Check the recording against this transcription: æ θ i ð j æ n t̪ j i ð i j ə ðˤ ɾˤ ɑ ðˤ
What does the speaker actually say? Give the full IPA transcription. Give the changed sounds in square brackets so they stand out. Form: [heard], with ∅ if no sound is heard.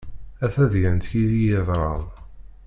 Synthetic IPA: æ θ [æ] ð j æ n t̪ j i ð i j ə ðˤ ɾˤ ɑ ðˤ